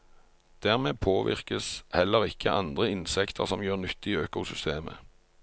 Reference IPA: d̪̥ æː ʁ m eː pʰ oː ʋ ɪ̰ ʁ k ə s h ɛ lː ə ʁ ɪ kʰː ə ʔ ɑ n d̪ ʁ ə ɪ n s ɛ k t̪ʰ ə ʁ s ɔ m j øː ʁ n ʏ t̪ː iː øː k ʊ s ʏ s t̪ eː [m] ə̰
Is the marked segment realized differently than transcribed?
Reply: no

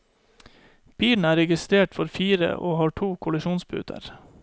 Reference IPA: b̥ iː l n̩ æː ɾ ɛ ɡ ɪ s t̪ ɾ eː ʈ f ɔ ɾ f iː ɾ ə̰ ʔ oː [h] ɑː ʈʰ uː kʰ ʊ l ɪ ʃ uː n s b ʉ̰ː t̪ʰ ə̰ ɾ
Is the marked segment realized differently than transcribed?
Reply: no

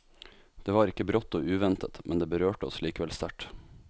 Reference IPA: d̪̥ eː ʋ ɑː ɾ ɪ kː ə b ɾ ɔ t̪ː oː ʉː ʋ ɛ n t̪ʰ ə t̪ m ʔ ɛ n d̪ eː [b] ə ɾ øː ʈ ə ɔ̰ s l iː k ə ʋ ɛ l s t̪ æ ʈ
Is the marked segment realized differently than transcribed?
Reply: no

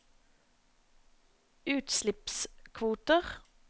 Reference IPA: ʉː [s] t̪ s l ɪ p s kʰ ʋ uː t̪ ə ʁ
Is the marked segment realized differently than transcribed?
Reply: yes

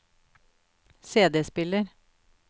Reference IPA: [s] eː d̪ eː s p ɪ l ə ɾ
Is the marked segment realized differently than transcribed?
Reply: no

